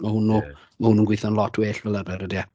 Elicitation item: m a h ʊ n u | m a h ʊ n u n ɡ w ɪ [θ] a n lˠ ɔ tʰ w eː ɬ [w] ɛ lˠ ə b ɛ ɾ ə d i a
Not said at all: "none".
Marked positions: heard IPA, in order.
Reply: θ, v

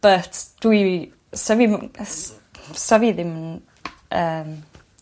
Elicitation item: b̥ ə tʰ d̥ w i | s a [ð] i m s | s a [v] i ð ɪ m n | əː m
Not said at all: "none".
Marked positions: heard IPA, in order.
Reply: v, v

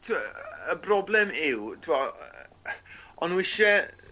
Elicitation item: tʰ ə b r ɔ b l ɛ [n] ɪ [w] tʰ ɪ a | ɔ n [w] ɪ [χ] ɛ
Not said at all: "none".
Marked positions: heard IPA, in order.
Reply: m, w, w, ʃ

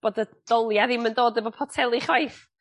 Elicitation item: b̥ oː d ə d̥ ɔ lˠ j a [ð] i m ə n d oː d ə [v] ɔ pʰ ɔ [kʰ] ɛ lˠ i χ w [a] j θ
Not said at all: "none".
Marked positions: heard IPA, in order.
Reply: ð, v, tʰ, a

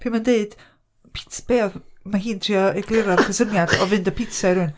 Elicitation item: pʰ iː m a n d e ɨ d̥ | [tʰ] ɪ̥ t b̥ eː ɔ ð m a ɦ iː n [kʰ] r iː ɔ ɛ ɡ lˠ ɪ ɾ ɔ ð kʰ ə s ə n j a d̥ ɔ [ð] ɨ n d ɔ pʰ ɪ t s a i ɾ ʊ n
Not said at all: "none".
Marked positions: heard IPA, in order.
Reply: pʰ, tʰ, v

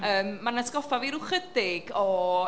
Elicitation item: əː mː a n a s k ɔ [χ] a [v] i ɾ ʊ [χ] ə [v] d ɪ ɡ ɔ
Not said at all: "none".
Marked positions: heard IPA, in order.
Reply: f, v, χ, none

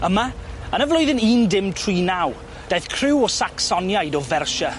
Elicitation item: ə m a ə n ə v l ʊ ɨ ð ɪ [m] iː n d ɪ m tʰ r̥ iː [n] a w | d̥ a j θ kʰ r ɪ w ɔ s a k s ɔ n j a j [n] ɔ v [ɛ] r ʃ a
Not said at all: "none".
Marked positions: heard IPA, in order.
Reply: n, n, d, ɛ

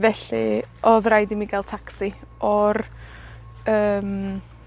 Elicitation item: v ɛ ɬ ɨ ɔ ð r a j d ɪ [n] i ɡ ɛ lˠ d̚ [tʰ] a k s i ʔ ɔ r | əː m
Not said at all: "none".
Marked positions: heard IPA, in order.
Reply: m, tʰ

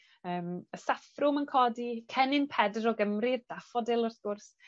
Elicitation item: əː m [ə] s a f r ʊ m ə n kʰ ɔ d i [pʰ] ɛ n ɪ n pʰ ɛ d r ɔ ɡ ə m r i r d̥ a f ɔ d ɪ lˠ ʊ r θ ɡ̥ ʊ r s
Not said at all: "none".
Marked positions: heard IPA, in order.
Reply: ə, kʰ

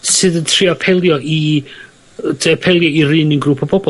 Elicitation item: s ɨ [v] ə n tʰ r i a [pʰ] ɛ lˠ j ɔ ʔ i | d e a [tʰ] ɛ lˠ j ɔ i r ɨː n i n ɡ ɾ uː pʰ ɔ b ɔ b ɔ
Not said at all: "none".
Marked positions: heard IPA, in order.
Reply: ð, pʰ, pʰ

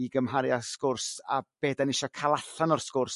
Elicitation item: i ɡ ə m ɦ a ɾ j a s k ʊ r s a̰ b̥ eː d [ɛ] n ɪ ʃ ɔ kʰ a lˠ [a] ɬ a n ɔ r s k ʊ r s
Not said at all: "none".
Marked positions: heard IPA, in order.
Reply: a, a

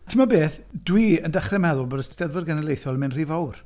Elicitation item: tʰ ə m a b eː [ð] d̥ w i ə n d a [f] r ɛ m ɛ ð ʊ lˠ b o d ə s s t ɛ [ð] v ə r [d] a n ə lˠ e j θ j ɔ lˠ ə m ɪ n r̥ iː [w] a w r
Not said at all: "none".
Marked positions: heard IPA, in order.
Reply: θ, χ, ð, ɡ, v

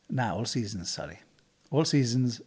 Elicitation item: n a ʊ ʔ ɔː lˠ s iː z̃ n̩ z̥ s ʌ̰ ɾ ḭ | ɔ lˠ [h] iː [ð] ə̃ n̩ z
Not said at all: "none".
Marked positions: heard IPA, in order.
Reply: s, z

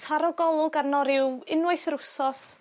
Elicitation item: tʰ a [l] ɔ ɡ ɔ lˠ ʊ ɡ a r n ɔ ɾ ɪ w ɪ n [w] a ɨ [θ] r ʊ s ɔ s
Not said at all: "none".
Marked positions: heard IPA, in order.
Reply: ɾ, w, θ

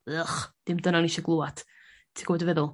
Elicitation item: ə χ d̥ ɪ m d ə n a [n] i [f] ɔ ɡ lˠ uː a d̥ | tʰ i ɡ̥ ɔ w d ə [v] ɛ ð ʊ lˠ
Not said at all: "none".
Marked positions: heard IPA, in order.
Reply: n, ʃ, v

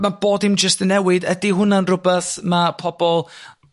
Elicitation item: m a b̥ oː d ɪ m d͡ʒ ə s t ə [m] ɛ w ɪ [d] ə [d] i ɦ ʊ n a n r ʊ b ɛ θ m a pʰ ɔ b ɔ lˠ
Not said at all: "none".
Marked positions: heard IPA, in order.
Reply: n, d, d

